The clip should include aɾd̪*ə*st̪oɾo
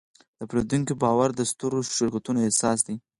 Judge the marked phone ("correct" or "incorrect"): correct